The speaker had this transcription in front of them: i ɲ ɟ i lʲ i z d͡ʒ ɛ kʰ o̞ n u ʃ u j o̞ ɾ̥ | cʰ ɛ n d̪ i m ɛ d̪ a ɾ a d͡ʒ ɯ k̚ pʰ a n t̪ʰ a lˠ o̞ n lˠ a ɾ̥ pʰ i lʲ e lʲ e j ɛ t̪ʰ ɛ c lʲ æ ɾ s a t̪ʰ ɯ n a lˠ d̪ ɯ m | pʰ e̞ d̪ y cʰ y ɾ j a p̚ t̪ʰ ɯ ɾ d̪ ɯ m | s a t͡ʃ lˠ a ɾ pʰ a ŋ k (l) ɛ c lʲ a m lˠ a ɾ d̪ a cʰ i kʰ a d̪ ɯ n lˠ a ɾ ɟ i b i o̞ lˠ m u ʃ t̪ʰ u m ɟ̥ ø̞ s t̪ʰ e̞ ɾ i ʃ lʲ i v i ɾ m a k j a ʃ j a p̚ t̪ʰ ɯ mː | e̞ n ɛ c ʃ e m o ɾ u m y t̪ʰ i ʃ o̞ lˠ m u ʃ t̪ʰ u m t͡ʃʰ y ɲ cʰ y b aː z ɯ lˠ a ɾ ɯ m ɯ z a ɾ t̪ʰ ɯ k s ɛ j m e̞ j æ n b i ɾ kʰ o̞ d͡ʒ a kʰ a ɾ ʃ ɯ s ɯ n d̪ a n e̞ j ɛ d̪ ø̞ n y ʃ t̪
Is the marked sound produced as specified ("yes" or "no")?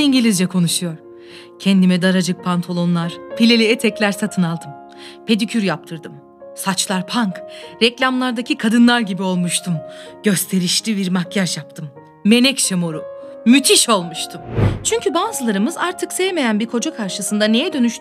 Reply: no